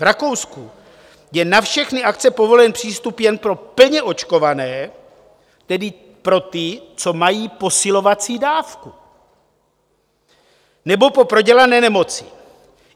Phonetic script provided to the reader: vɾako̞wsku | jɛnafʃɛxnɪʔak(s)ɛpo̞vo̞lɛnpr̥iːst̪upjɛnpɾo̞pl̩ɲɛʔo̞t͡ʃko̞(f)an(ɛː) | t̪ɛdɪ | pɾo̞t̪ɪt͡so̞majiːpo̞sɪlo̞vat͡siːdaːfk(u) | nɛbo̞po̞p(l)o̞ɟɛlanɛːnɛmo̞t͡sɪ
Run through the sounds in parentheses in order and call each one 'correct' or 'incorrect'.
incorrect, incorrect, correct, correct, incorrect

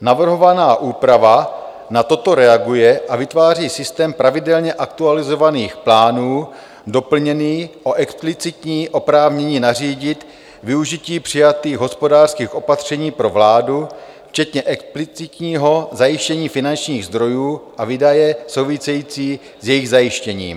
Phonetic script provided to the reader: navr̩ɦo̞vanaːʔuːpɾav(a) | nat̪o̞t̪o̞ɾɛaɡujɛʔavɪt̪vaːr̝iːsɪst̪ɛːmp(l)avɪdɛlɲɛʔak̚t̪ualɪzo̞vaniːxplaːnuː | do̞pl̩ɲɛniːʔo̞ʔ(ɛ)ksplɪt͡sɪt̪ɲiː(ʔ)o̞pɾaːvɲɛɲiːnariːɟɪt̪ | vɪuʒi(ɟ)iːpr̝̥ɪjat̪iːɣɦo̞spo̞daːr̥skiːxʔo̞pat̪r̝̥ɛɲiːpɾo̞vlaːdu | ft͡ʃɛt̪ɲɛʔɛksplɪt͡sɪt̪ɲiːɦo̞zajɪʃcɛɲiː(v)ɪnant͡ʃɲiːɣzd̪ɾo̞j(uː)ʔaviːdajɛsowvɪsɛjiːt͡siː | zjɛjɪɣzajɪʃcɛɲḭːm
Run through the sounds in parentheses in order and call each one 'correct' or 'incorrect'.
correct, incorrect, correct, correct, incorrect, incorrect, correct

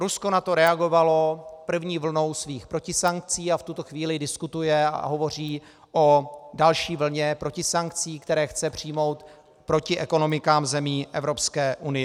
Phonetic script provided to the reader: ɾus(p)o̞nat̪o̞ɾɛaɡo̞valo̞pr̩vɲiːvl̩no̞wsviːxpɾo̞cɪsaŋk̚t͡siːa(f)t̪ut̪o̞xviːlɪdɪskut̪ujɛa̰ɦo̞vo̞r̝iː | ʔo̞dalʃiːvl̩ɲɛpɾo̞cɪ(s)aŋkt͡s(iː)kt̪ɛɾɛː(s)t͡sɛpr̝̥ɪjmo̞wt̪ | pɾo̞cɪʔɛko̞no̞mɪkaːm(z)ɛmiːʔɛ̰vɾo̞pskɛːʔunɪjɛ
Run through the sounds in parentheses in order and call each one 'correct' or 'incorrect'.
incorrect, correct, correct, correct, incorrect, correct

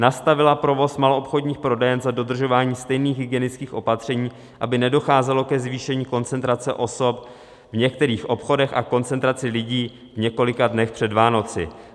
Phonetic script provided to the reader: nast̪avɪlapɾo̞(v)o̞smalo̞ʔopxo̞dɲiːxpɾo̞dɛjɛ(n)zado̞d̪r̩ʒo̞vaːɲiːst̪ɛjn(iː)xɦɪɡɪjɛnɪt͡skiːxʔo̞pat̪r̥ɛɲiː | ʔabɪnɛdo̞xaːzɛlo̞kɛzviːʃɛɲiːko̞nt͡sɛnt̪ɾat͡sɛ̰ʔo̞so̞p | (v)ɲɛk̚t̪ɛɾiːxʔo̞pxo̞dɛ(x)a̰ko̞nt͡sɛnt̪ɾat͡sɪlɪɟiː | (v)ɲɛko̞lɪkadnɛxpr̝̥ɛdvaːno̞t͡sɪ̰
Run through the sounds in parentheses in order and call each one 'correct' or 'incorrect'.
correct, correct, correct, correct, correct, correct

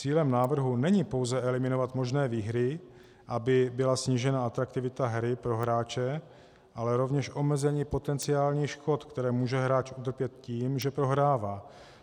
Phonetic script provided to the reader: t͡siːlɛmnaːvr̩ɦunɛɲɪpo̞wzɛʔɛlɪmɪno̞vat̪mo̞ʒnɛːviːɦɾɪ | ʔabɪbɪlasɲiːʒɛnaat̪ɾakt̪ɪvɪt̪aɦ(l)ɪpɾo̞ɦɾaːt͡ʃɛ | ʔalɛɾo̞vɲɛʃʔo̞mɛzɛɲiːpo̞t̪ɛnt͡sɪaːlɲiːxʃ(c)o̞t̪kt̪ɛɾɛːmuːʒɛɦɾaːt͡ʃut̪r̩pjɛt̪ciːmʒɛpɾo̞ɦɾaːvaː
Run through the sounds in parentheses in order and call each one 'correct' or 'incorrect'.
incorrect, incorrect

